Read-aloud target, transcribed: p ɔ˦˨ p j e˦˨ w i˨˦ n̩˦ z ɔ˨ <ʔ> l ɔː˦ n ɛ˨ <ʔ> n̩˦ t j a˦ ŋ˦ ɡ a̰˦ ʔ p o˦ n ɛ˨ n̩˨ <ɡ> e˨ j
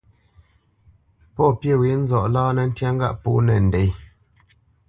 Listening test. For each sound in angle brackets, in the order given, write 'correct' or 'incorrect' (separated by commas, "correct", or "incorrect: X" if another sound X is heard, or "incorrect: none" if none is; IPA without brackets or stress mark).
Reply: correct, incorrect: none, incorrect: d